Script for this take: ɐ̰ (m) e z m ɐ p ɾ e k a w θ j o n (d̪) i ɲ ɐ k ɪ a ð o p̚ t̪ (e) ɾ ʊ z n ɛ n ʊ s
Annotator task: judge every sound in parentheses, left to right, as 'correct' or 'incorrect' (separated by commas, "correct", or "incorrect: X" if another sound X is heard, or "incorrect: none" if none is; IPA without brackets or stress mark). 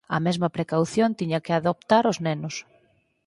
correct, incorrect: t̪, incorrect: a